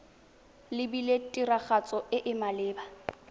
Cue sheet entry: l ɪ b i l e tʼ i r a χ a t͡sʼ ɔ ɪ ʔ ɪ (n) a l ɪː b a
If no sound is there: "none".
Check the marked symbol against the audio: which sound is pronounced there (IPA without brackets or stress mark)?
m